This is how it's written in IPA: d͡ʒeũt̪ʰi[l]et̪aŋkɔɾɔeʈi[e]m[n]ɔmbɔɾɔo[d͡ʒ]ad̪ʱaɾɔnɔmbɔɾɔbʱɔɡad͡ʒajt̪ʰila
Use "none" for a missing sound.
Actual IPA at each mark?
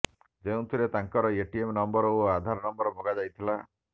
ɾ, e, n, none

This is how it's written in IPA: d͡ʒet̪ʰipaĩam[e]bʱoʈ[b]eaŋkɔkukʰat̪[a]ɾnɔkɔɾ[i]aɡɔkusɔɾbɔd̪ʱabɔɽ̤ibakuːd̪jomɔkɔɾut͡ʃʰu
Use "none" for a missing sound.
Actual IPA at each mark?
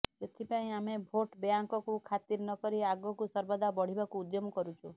e, b, i, i

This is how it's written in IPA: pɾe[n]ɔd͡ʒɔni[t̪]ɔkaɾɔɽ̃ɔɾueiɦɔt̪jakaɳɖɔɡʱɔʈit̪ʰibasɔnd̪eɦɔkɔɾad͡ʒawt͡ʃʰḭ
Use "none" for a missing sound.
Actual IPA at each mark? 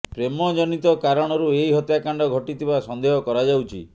m, t̪

